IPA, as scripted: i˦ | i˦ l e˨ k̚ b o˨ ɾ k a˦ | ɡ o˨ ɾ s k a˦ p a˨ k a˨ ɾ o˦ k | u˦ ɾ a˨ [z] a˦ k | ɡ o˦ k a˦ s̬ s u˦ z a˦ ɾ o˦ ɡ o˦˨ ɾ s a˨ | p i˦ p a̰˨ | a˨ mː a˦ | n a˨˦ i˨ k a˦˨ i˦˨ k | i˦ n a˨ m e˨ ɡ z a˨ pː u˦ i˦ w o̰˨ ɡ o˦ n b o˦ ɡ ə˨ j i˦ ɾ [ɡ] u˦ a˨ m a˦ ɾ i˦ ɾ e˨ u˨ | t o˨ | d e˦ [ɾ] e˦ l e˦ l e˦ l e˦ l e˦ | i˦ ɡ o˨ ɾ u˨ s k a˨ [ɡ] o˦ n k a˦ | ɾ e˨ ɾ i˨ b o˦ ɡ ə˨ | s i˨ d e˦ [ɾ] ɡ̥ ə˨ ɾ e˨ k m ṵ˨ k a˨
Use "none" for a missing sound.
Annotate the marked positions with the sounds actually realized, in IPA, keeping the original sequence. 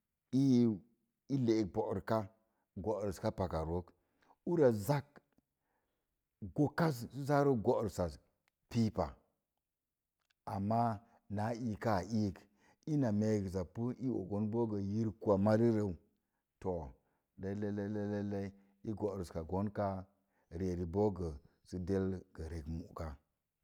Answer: z, k, l, ɡ, l

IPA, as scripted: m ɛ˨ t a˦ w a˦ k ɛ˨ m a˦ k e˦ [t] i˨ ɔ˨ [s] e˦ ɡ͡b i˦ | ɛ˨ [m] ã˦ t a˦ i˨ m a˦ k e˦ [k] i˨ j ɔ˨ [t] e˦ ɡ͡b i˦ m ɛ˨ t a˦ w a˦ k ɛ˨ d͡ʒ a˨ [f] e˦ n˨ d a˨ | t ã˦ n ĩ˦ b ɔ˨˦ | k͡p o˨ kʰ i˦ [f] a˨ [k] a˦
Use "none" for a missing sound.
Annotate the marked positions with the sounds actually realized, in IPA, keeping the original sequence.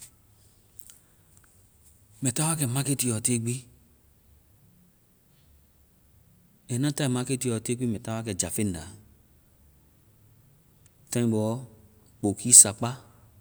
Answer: t, t, n, t, t, f, s, k͡p

